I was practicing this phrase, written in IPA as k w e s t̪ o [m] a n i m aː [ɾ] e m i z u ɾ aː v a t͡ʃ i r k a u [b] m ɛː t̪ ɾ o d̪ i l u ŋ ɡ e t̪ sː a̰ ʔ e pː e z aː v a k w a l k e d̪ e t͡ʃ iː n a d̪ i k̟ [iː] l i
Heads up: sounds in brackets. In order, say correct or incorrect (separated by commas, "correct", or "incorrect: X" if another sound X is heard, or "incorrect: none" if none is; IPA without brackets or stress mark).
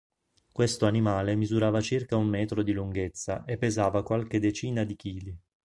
incorrect: none, incorrect: l, incorrect: m, correct